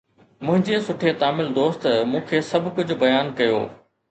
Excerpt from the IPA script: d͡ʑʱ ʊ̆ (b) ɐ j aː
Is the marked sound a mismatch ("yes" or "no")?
no